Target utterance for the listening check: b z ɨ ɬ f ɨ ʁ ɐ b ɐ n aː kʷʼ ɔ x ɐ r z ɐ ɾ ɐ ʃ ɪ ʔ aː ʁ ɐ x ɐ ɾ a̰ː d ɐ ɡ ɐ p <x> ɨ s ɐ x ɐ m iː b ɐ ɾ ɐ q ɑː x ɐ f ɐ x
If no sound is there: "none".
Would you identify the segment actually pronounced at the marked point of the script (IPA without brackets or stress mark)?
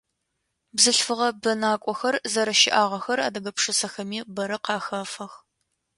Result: ʂ